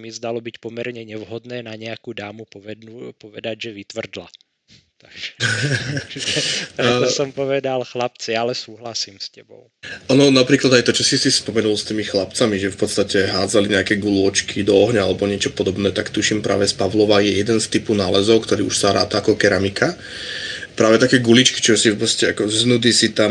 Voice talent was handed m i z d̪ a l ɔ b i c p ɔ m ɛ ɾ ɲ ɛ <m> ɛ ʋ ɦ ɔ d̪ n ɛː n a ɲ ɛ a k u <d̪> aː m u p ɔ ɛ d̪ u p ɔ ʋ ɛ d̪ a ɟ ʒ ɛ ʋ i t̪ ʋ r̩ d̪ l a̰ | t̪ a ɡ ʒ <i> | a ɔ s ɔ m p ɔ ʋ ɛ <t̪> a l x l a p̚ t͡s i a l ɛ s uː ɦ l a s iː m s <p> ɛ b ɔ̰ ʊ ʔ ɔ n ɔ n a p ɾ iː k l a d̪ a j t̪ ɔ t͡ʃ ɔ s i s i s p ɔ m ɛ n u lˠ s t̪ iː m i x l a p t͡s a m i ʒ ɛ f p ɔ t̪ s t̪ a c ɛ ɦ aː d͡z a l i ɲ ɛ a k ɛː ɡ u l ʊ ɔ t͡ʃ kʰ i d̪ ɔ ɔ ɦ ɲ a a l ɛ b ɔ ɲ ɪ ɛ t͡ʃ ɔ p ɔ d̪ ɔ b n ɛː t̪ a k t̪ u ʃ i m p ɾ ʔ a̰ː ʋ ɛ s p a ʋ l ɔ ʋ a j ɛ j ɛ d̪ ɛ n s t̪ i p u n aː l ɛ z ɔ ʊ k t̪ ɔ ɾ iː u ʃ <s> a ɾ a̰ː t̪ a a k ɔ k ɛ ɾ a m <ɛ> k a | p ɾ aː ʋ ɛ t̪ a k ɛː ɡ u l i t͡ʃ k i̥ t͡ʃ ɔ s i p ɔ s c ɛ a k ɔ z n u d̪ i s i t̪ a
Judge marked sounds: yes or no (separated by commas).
no, yes, no, no, no, yes, no